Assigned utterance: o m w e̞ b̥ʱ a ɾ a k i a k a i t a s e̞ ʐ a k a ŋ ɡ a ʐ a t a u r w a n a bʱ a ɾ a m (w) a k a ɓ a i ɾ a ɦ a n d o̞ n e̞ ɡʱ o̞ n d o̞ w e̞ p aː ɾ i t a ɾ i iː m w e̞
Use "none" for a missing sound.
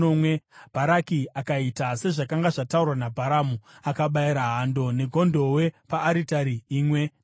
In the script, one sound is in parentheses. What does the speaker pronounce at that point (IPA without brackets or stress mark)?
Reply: u